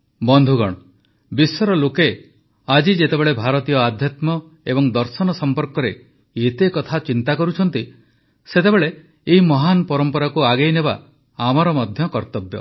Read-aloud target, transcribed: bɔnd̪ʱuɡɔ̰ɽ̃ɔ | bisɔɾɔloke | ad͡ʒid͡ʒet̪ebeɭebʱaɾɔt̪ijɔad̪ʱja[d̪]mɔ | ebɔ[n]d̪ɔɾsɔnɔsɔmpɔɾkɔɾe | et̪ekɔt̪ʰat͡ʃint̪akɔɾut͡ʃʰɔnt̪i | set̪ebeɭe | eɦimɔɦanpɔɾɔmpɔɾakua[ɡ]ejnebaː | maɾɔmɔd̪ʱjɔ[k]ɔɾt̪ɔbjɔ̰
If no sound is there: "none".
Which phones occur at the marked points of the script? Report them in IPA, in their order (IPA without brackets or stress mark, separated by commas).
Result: t̪, ŋ, ɡ, k